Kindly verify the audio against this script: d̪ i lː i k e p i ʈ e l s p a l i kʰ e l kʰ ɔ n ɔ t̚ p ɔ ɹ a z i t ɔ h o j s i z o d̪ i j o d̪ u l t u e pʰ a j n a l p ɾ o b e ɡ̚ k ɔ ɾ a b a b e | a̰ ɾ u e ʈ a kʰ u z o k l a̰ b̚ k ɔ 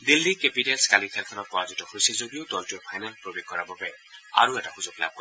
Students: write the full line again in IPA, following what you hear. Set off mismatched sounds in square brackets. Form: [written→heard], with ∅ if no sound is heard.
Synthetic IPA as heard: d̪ i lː i k e p i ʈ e l s [p→k] a l i kʰ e l kʰ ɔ n ɔ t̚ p ɔ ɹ a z i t ɔ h o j s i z o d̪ i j o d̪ [u→ɔ] l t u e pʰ a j n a l p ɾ o b e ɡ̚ k ɔ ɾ a b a b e | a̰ ɾ u e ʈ a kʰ u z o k l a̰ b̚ k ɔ